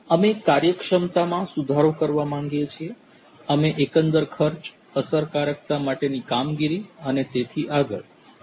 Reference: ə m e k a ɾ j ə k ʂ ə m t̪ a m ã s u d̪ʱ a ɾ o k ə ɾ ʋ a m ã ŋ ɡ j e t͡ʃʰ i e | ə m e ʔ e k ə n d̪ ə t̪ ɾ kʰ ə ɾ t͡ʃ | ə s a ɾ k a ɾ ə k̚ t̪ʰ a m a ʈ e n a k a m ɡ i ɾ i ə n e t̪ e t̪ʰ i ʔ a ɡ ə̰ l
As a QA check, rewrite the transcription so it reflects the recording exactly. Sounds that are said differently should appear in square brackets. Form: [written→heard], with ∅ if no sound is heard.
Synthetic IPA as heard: ə m e k a ɾ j ə k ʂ ə m t̪ a m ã s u d̪ʱ a ɾ o k ə ɾ ʋ a m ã ŋ ɡ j e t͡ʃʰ i e | ə m e ʔ e k ə n d̪ ə [t̪→∅] ɾ kʰ ə ɾ t͡ʃ | ə s [a→ə] ɾ k a ɾ ə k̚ [t̪ʰ→t̪] a m a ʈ e n [a→i] k a m ɡ i ɾ i ə n e t̪ e t̪ʰ i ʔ a ɡ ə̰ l